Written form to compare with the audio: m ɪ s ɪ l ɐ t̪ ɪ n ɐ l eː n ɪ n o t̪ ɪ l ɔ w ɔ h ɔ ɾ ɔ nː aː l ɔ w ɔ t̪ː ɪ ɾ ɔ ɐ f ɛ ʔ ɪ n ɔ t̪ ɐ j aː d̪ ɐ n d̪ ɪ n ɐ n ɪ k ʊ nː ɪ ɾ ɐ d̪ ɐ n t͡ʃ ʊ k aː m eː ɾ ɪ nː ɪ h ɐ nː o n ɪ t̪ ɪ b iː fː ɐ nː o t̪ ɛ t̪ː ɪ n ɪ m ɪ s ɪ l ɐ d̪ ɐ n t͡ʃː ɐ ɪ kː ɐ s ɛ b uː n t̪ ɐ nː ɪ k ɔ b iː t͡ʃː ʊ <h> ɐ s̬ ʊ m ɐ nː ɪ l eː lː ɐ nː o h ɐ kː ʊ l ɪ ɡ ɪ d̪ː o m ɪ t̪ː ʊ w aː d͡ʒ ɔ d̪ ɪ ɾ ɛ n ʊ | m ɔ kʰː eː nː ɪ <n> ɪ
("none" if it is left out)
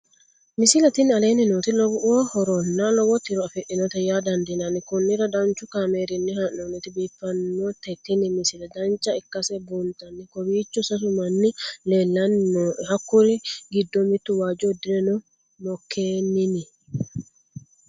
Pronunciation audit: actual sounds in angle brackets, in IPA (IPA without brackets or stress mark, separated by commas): s, n